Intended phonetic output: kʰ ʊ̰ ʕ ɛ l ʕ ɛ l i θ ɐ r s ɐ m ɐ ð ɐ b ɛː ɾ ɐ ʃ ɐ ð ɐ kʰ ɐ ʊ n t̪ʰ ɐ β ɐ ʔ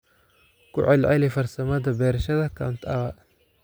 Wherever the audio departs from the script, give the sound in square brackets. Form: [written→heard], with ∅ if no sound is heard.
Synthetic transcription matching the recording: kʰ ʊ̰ ʕ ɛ l ʕ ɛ l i [θ→f] ɐ r s ɐ m ɐ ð ɐ b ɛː ɾ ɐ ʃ ɐ ð ɐ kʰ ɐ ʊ n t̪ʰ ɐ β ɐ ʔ